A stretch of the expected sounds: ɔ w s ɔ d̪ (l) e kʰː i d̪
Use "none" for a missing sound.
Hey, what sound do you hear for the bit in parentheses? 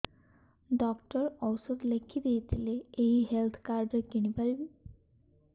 l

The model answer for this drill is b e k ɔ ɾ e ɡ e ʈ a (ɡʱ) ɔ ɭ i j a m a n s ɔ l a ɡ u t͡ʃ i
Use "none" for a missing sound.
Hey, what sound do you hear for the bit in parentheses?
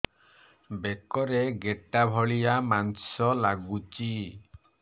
bʱ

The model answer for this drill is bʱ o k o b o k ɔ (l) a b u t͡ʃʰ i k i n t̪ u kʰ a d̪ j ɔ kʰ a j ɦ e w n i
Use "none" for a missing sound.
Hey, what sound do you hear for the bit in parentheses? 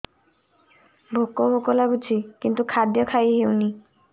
l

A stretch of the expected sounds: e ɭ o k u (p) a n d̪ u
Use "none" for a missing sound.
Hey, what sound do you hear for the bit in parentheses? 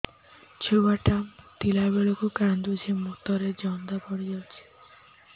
k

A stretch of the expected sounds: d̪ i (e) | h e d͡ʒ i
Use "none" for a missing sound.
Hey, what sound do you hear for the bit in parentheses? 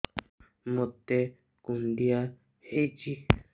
a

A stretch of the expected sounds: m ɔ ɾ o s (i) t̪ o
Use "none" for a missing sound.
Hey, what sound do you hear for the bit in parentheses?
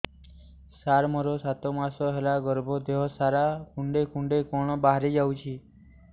a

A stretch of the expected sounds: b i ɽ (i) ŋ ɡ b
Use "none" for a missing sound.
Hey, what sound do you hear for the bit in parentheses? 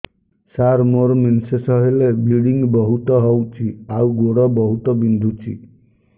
i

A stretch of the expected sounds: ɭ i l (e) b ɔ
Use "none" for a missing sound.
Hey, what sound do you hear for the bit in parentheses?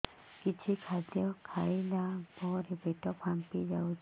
a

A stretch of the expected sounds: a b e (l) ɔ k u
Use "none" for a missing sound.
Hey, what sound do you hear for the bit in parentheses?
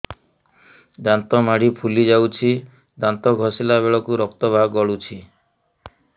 ɭ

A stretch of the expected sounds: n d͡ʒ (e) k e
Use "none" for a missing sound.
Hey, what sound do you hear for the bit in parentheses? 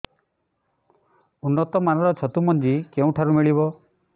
i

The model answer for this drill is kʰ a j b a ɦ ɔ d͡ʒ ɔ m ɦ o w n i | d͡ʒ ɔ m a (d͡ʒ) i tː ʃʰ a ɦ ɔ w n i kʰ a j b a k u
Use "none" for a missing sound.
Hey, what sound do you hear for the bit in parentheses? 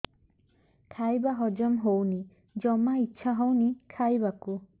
none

